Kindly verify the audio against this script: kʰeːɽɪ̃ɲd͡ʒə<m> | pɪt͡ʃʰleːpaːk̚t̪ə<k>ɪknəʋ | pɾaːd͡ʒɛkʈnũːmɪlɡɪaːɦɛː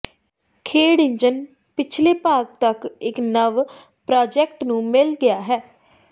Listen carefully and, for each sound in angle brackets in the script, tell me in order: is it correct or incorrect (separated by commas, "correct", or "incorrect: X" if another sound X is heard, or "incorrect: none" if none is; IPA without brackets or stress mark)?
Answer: incorrect: n, correct